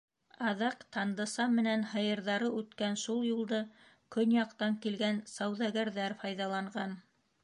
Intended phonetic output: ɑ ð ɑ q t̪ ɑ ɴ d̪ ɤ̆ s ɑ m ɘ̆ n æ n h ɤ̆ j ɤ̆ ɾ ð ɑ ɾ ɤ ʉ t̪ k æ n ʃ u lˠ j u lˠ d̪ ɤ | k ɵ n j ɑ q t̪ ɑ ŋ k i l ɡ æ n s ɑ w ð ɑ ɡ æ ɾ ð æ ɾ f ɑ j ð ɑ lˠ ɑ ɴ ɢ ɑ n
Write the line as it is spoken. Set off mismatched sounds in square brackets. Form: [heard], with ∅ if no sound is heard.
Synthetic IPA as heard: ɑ ð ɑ q t̪ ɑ [n] d̪ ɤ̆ s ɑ m ɘ̆ n æ n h ɤ̆ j ɤ̆ ɾ ð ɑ ɾ ɤ ʉ t̪ k æ n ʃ u lˠ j u lˠ d̪ ɤ | k ɵ n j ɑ q t̪ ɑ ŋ k i l ɡ æ n s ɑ w ð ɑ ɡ æ ɾ ð æ ɾ f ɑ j ð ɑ lˠ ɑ ɴ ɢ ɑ n